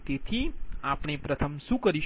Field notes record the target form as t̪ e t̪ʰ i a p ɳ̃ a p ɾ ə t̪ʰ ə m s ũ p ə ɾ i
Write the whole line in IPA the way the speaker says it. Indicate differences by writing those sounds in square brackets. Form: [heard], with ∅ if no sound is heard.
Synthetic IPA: t̪ e t̪ʰ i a p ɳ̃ [e] p ɾ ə t̪ʰ ə m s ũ [k] ə ɾ i

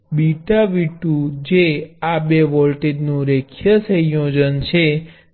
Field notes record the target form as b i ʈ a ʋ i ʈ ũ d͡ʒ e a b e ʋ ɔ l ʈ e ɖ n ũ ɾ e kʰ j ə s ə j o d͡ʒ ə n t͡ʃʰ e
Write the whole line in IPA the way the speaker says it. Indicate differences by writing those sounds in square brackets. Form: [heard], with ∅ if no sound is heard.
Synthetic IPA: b i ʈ a ʋ i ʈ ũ d͡ʒ e a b e ʋ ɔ l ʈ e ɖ n ũ ɾ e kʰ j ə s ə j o d͡ʒ ə n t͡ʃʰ e

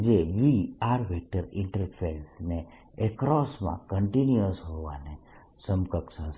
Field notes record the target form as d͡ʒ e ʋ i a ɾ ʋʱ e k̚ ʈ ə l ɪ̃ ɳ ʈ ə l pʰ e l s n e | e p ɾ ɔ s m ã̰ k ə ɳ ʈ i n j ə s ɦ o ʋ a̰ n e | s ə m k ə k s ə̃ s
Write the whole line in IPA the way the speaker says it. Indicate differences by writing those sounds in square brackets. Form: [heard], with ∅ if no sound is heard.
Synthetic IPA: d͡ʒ e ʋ i a ɾ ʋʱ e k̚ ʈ ə [ɾ] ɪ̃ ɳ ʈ ə [ɾ] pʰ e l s n e | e [k] ɾ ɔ s m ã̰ k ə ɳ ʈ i n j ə s ɦ o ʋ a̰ n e | s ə m k ə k s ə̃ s

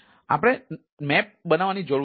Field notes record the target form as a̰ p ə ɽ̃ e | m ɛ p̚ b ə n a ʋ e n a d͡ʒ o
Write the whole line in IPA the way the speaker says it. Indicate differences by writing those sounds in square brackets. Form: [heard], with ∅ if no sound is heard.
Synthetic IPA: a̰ p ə ɽ̃ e | m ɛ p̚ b ə n a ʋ [a] n [i] d͡ʒ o

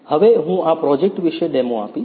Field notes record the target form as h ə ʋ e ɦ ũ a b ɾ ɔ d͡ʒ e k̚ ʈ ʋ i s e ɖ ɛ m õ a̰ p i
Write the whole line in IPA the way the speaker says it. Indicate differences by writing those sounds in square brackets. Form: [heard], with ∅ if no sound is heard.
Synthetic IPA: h ə ʋ e ɦ ũ a [p] ɾ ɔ d͡ʒ e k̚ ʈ ʋ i [ʃ] e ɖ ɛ m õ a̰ p i

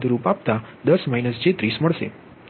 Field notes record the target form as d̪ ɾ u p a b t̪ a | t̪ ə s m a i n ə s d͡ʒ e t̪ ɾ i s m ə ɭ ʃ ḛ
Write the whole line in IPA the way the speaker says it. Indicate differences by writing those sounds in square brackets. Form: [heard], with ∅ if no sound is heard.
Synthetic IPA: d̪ ɾ u p a [p] t̪ a | [d̪] ə s m a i n ə s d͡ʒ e t̪ ɾ i s m ə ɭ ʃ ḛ

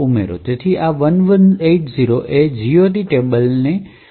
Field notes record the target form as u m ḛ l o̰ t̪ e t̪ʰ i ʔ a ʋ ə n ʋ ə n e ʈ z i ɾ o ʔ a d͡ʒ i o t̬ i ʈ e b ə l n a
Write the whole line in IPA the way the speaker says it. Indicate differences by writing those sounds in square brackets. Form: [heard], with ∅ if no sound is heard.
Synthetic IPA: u m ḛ [ɾ] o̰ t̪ e t̪ʰ i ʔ a ʋ ə n ʋ ə n e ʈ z i ɾ o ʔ [e] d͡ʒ i o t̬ i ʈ e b ə l n [e]

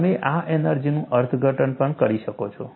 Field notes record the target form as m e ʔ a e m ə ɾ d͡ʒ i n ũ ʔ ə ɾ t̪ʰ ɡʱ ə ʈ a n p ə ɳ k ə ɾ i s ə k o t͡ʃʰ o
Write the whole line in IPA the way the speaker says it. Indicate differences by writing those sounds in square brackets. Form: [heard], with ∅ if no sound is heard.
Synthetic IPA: m e ʔ a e [n] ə ɾ d͡ʒ i n ũ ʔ ə ɾ t̪ʰ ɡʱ ə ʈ [ə] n p ə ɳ k ə ɾ i [ʃ] ə k o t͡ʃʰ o

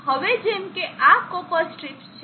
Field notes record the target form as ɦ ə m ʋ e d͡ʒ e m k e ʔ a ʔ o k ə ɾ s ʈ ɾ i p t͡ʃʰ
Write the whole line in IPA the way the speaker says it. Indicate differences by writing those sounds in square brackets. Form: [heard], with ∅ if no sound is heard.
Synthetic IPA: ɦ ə [∅] ʋ e d͡ʒ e m k e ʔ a [k] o [p] ə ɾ s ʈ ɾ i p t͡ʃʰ

